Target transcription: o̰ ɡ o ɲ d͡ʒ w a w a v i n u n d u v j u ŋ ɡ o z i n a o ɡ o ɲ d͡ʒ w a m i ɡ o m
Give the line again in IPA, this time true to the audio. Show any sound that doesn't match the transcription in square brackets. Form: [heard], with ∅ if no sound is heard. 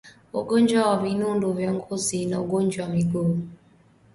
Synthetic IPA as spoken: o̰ ɡ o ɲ d͡ʒ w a w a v i n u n d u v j [ɔ] ŋ ɡ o z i n a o ɡ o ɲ d͡ʒ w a m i ɡ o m